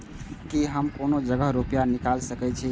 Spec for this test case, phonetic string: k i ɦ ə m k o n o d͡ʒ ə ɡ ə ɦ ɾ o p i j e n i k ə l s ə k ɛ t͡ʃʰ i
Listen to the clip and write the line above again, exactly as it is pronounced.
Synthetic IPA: k i ɦ ə m k o n o d͡ʒ ə ɡ ə ɦ ɾ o p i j a n i k a l s ə k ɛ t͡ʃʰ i

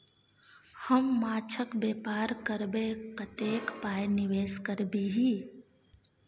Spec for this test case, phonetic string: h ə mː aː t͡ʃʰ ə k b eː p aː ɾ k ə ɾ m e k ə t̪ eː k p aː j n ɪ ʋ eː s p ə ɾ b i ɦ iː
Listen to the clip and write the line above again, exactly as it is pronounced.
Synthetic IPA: h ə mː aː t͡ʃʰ ə k b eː p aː ɾ k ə ɾ b e k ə t̪ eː k p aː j n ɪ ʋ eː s k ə ɾ b i ɦ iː

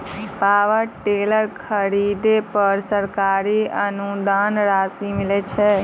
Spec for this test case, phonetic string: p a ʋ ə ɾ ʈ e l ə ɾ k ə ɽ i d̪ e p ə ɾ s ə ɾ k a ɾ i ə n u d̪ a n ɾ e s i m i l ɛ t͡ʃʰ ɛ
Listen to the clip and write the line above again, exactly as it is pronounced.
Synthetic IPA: p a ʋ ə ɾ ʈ e l ə ɾ kʰ ə ɾ i d̪ e p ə ɾ s ə ɾ k a ɾ i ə n u d̪ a n ɾ a s i m i l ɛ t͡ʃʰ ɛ

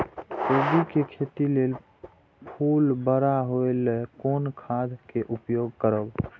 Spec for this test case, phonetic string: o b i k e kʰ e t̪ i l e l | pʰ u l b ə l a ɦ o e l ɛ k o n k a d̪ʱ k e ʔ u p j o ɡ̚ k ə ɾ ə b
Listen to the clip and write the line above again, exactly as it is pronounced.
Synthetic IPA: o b i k e kʰ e t̪ i l e l | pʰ u l b ə ɾ a ɦ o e l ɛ k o n kʰ a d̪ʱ k e ʔ u p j o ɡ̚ k ə ɾ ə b

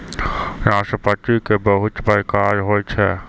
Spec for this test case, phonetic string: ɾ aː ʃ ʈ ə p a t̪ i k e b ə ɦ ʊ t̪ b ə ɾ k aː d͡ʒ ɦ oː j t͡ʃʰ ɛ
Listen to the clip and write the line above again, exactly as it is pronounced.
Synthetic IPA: ɾ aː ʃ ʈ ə p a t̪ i k e b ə ɦ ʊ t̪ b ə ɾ k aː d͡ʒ ɦ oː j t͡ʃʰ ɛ

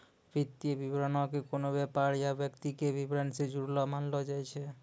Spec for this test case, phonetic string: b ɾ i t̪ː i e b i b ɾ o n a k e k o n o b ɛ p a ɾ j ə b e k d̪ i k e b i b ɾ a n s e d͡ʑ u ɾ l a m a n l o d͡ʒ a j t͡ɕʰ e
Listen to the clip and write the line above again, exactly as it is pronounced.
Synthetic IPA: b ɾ i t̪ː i e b i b ɾ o n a k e k o n o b ɛ p a ɾ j a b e k t̪ i k e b i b ɾ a n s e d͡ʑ u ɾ l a m a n l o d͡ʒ a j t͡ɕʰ e

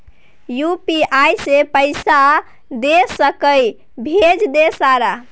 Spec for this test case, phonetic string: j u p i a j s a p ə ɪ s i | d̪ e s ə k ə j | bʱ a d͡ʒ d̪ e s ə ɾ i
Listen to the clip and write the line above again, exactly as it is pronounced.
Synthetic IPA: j u p i a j s e p ə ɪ s a | d̪ e s ə k ə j | bʱ e d͡ʒ d̪ e s a ɾ a

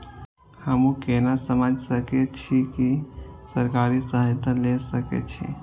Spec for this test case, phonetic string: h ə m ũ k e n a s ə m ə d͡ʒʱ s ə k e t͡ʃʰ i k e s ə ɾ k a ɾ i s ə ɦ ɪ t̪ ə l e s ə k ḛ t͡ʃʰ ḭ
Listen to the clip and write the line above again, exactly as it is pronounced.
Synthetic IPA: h ə m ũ k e n a s ə m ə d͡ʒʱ s ə k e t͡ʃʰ i k i s ə ɾ k a ɾ i s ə ɦ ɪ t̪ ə l e s ə k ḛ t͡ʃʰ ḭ

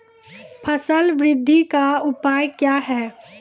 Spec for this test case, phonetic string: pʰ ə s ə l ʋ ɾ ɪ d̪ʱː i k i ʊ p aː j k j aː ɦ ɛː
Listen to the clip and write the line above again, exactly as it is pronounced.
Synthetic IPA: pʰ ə s ə l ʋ ɾ ɪ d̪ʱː i k a ʊ p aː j k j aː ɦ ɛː

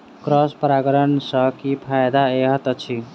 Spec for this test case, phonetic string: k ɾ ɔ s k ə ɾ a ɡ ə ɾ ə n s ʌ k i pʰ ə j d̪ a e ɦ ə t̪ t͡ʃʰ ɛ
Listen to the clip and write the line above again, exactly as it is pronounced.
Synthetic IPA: k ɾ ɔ s p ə ɾ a ɡ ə ɾ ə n s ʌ k i pʰ a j d̪ a e ɦ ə t̪ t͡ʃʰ i

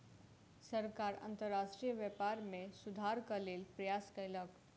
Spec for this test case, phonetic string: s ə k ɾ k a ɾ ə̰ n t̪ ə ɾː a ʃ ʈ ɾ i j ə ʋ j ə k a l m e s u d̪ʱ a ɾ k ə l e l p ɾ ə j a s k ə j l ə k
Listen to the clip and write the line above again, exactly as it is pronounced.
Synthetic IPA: s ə ɾ k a ɾ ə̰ n t̪ ə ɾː a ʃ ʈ ɾ i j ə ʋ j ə p a ɾ m e s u d̪ʱ a ɾ k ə l e l p ɾ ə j a s k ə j l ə k

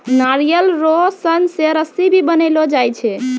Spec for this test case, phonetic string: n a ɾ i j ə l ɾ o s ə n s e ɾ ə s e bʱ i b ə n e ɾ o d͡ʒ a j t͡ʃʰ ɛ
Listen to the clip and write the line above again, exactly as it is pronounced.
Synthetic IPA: n a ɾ i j ə l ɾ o s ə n s e ɾ ə s i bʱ i b ə n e l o d͡ʒ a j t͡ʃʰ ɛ

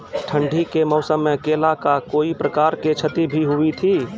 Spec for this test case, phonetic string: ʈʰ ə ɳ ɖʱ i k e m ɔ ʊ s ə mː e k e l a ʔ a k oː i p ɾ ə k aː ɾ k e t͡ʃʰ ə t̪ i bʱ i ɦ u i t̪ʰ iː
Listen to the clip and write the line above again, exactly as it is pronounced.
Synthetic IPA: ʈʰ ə ɳ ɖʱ i k e m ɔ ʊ s ə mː e k e l a k a k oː i p ɾ ə k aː ɾ k e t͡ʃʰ ə t̪ i bʱ i ɦ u i t̪ʰ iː

